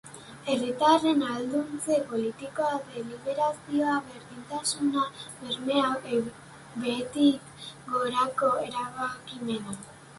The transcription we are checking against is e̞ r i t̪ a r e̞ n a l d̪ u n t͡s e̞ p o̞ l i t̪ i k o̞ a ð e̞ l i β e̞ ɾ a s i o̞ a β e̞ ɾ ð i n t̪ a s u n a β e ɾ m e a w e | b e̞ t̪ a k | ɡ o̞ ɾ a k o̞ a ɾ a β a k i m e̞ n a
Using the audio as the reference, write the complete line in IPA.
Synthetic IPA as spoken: e̞ r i t̪ a r e̞ n a l d̪ u n t͡s e̞ p o̞ l i t̪ i k o̞ a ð e̞ l i β e̞ ɾ a s i o̞ a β e̞ ɾ ð i n t̪ a s u n a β e ɾ m e a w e | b e̞ t̪ i k | ɡ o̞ ɾ a k o̞ e ɾ a β a k i m e̞ n a

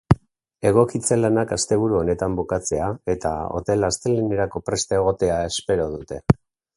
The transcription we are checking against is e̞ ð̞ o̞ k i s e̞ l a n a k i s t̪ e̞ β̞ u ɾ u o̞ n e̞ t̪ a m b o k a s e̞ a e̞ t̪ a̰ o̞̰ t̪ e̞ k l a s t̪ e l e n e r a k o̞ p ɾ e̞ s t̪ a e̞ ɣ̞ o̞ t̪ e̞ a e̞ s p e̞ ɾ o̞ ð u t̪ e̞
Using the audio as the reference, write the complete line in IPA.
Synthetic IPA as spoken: e̞ ɣ̞ o̞ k i t͡s e̞ l a n a k a s t̪ e̞ β̞ u ɾ u o̞ n e̞ t̪ a m b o k a t͡s e̞ a e̞ t̪ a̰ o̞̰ t̪ e̞ l a s t̪ e l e n e ɾ a k o̞ p ɾ e̞ s t̪ a e̞ ɣ̞ o̞ t̪ e̞ a e̞ s p e̞ ɾ o̞ ð u t̪ e̞

